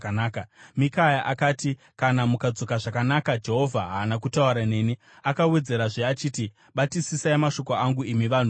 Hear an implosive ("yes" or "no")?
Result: yes